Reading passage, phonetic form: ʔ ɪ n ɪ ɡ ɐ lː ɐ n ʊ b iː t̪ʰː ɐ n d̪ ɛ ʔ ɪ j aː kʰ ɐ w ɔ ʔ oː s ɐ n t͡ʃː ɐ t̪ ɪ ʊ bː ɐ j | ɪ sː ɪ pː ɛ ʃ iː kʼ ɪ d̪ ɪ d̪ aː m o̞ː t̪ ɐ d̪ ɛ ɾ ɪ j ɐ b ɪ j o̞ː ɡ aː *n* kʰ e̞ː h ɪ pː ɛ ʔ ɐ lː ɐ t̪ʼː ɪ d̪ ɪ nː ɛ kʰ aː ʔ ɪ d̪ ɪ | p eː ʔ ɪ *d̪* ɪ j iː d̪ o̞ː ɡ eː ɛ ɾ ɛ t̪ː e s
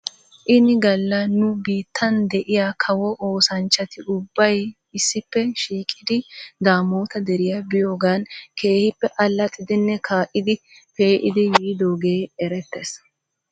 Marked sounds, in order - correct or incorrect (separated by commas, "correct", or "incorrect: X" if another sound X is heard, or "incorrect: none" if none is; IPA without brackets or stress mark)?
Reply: correct, correct